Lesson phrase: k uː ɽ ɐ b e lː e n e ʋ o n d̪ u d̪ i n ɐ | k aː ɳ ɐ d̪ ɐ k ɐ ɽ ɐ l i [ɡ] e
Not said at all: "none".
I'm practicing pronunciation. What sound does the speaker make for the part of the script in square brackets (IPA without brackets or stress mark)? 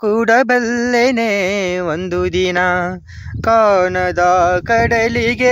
ɡ